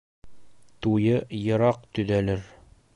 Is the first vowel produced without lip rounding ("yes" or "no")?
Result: no